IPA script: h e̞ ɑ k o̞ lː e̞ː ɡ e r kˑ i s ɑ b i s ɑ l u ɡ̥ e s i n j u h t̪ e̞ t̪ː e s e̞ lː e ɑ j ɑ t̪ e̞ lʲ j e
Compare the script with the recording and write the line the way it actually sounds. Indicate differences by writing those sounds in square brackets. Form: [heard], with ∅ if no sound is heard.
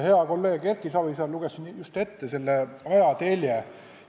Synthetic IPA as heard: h e̞ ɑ k o̞ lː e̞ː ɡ e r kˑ i s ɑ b i s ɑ l u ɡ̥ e s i n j u [s] t̪ e̞ t̪ː e s e̞ lː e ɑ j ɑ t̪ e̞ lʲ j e